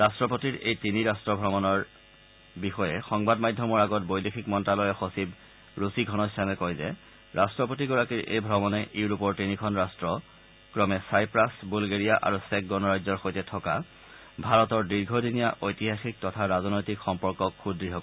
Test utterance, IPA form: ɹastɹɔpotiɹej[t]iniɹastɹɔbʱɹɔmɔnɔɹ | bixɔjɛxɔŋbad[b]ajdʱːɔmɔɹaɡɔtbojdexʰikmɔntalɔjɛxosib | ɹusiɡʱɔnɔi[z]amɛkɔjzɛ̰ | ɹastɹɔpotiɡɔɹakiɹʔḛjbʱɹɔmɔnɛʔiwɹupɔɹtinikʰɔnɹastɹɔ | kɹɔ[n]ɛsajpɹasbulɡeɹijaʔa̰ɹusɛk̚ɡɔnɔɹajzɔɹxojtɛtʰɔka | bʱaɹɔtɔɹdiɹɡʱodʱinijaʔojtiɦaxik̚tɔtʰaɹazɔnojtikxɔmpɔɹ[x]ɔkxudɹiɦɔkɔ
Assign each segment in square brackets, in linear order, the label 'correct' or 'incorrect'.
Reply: correct, incorrect, incorrect, incorrect, incorrect

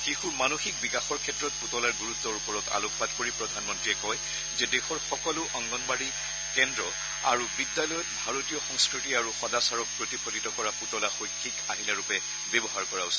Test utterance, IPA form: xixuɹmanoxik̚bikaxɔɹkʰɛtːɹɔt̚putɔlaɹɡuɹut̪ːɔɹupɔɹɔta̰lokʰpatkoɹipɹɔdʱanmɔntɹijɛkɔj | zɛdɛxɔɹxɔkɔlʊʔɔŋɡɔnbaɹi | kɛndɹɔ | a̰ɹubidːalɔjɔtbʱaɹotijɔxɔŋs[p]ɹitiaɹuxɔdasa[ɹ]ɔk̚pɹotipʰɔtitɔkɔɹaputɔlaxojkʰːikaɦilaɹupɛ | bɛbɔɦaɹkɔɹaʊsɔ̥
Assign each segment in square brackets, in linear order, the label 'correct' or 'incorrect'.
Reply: incorrect, correct

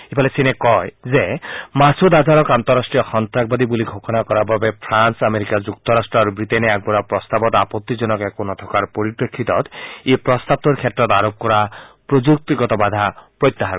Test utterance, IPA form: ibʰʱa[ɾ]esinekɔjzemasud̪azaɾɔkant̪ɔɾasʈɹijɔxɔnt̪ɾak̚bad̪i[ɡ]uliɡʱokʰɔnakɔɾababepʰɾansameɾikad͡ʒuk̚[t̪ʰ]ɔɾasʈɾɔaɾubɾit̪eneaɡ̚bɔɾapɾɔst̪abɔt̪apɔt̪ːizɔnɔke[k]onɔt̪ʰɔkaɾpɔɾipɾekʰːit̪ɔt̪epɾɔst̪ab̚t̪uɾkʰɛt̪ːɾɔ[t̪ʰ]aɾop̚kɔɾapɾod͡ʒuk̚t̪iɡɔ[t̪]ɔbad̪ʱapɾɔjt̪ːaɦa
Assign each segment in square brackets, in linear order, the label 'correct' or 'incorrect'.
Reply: incorrect, incorrect, incorrect, correct, incorrect, correct

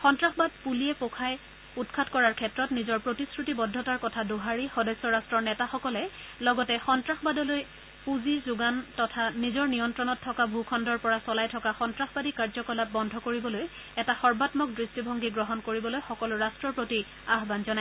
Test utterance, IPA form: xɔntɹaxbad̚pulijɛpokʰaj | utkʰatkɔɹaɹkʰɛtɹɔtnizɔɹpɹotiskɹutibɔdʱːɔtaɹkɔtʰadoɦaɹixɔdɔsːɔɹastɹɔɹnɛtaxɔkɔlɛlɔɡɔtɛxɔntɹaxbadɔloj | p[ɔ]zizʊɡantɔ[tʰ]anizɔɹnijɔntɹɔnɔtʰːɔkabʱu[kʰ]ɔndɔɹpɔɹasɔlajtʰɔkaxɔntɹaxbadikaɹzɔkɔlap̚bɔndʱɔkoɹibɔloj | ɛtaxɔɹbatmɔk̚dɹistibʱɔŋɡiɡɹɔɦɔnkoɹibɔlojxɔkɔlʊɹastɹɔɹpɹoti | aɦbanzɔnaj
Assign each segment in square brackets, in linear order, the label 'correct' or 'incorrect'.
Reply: incorrect, correct, correct

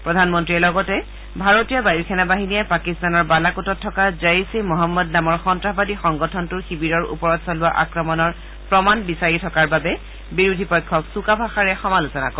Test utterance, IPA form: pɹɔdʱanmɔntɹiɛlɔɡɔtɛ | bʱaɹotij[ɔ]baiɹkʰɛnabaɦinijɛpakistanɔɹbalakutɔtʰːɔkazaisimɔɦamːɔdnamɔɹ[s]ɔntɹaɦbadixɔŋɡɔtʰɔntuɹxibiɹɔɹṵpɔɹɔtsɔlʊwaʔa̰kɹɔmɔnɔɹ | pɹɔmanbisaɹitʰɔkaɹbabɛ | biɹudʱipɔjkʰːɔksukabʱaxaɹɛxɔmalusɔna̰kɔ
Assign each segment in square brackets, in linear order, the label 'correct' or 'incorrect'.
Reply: correct, incorrect

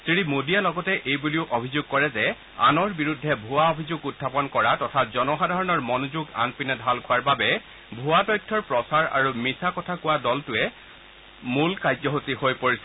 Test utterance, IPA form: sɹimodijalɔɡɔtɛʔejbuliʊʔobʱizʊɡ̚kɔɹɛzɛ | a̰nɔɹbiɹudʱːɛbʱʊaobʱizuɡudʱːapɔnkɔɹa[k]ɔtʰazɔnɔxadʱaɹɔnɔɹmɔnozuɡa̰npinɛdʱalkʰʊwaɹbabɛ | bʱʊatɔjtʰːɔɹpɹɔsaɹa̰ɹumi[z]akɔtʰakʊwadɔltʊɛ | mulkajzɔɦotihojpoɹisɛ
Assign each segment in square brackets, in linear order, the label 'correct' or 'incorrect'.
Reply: incorrect, incorrect

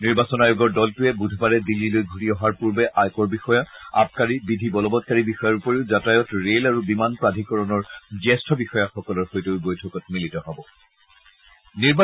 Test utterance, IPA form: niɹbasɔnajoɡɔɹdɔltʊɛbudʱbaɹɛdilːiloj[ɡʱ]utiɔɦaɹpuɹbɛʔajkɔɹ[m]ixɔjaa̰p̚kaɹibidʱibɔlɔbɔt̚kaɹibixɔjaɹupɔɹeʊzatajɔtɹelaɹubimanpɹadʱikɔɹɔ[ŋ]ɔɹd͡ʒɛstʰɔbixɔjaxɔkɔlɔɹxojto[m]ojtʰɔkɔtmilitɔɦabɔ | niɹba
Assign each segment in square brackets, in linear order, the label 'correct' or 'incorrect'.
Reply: correct, incorrect, incorrect, incorrect

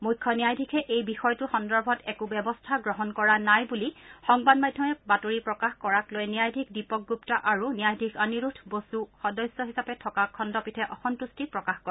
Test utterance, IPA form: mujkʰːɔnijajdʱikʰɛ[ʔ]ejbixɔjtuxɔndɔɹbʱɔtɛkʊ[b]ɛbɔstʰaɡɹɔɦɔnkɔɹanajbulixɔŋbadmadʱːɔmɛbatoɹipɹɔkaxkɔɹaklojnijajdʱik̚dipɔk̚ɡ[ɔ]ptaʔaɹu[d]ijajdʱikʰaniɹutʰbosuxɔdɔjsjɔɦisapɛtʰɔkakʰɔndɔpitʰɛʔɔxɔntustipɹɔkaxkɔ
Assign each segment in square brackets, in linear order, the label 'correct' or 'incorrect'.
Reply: correct, correct, incorrect, incorrect

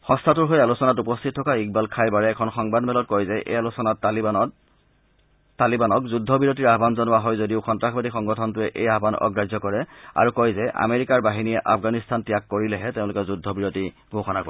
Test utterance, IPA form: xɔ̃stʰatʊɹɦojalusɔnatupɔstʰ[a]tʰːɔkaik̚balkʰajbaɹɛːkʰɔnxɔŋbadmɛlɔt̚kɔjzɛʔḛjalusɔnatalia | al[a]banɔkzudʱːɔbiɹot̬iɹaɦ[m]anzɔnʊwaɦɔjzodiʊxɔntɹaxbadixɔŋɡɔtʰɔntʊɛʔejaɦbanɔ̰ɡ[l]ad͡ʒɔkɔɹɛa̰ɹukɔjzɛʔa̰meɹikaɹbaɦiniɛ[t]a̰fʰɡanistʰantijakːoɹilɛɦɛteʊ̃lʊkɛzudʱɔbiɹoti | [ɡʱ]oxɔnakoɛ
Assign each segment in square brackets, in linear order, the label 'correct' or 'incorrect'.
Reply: incorrect, incorrect, incorrect, incorrect, incorrect, correct

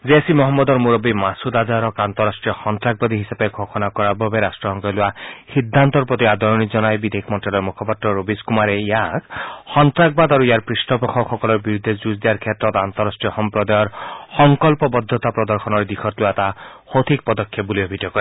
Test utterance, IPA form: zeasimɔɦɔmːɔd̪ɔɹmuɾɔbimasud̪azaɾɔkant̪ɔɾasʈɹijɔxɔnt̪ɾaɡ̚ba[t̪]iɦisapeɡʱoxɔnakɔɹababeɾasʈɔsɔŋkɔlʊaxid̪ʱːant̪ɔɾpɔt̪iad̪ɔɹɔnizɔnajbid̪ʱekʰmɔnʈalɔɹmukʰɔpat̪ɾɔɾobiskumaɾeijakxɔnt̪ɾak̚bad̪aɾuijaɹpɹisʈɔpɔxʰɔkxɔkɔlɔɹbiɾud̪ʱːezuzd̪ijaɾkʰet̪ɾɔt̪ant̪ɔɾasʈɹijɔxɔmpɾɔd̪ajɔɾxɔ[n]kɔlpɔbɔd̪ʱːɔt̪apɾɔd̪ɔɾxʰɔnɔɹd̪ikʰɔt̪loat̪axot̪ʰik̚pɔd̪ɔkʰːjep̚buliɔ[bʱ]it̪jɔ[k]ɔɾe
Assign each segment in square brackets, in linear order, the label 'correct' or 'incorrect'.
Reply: incorrect, incorrect, correct, correct

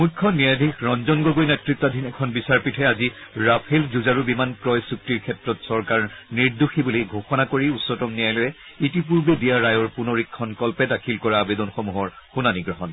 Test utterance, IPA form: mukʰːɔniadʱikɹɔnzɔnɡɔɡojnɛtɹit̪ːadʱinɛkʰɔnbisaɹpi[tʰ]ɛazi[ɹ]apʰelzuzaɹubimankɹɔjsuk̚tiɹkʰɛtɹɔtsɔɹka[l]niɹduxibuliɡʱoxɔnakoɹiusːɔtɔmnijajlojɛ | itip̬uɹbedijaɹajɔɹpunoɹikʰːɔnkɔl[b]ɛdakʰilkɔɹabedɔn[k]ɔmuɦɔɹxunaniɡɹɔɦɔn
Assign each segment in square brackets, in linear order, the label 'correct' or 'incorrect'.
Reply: correct, correct, incorrect, incorrect, incorrect

